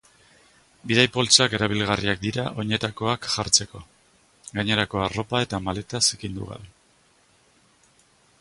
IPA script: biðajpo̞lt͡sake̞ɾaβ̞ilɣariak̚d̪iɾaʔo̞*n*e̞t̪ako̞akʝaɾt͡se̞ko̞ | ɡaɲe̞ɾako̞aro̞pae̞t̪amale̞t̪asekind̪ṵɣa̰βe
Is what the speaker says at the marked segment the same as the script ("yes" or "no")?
no